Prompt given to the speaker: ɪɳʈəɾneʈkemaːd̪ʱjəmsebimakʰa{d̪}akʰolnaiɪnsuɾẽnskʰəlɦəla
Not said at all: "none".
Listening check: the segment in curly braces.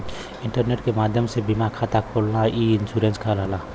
t̪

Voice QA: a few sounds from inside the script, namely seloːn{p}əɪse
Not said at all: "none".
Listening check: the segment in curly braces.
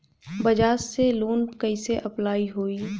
k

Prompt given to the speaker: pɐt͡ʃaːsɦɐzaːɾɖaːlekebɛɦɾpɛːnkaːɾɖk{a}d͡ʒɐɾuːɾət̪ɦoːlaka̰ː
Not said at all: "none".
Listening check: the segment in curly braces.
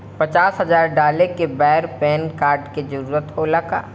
e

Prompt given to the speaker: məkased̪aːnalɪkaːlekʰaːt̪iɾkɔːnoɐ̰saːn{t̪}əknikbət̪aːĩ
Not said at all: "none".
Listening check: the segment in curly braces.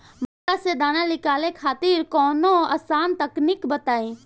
t̪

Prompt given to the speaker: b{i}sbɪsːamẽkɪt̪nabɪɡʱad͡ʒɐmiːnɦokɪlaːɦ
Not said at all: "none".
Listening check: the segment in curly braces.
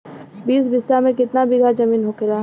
iː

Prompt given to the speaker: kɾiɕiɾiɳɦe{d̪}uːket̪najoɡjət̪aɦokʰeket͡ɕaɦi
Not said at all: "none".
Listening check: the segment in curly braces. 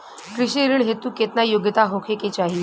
t̪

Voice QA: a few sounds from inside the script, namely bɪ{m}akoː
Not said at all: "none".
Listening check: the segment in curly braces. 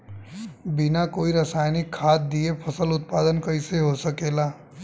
n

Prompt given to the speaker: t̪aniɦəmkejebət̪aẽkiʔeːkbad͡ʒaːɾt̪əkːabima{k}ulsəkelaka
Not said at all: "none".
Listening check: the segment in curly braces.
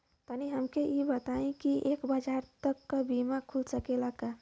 kʰ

